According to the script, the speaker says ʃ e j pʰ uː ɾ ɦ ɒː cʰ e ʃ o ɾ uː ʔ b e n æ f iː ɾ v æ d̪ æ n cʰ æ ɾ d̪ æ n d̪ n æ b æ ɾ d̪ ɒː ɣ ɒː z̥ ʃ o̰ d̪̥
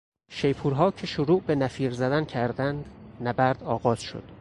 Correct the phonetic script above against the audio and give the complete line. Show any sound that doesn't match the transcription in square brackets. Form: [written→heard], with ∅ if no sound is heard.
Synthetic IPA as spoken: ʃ e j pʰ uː ɾ ɦ ɒː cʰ e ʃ o ɾ uː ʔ b e n æ f iː ɾ [v→z] æ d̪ æ n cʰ æ ɾ d̪ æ n d̪ n æ b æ ɾ d̪ ɒː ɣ ɒː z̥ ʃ o̰ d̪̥

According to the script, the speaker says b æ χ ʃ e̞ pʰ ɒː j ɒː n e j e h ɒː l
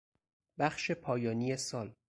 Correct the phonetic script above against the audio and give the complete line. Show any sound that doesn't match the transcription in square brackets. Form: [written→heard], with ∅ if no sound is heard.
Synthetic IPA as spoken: b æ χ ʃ e̞ pʰ ɒː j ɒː n [e→i] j e [h→s] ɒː l

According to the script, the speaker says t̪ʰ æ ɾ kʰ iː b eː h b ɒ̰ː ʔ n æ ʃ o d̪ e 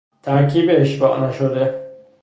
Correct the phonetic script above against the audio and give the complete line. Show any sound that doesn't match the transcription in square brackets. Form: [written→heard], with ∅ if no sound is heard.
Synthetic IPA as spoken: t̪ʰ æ ɾ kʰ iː b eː [h→ʃ] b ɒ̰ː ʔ n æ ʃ o d̪ e

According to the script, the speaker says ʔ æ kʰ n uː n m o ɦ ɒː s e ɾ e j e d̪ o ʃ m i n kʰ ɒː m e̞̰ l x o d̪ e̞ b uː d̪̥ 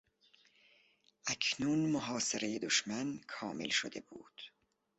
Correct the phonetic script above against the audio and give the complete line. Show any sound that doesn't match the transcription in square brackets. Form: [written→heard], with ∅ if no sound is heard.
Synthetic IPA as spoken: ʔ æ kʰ n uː n m o ɦ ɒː s e ɾ e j e d̪ o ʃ m [i→æ] n kʰ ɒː m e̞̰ l [x→ʃ] o d̪ e̞ b uː d̪̥

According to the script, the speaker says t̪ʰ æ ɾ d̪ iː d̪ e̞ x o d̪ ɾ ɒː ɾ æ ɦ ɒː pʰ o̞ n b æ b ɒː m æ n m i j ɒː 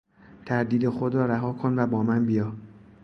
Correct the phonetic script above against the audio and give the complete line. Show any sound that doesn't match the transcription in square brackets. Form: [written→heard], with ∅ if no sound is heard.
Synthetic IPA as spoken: t̪ʰ æ ɾ d̪ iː d̪ e̞ x o d̪ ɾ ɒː ɾ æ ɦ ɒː [pʰ→kʰ] o̞ n [b→v] æ b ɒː m æ n [m→b] i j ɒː

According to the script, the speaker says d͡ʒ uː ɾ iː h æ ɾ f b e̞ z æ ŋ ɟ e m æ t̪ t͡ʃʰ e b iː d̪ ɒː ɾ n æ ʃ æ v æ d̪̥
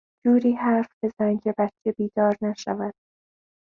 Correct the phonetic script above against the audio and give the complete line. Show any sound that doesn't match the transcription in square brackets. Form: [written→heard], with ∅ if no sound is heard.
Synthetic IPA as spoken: d͡ʒ uː ɾ iː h æ ɾ f b e̞ z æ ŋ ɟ e [m→b] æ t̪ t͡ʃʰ e b iː d̪ ɒː ɾ n æ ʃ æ v æ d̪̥

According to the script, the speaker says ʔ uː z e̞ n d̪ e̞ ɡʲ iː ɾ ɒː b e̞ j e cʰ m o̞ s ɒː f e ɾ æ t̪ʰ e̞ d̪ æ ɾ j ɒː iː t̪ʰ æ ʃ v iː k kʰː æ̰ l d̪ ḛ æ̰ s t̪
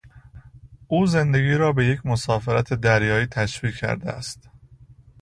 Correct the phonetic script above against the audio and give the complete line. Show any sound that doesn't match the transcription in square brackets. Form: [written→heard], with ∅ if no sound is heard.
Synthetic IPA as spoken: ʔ uː z e̞ n d̪ e̞ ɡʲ iː ɾ ɒː b e̞ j e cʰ m o̞ s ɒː f e ɾ æ t̪ʰ e̞ d̪ æ ɾ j ɒː iː t̪ʰ æ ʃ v iː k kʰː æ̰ [l→ɾ] d̪ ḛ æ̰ s t̪

